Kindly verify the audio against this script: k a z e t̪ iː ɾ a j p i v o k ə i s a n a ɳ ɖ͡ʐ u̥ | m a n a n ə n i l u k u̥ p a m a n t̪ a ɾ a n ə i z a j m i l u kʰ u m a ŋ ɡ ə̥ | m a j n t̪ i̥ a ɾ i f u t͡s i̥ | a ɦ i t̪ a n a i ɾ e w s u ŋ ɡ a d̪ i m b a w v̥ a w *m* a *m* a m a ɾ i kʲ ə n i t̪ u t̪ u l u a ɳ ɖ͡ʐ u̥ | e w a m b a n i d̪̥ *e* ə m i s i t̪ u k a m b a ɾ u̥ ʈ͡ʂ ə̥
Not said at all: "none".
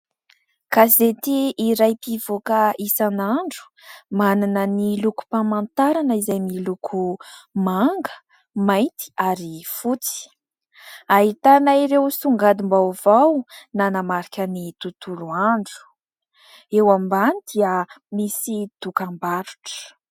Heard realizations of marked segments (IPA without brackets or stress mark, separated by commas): n, n, i